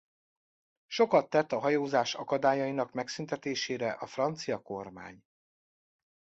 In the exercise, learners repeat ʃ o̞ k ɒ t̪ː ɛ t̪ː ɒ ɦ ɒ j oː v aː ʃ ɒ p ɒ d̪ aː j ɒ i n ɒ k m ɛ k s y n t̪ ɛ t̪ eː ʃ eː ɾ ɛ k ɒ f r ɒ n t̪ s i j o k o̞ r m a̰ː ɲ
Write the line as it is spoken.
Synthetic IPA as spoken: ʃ o̞ k ɒ t̪ː ɛ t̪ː ɒ ɦ ɒ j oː z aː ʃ ɒ k ɒ d̪ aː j ɒ i n ɒ k m ɛ k s y n t̪ ɛ t̪ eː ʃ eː ɾ ɛ ʔ ɒ f r ɒ n t̪ s i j ɒ k o̞ r m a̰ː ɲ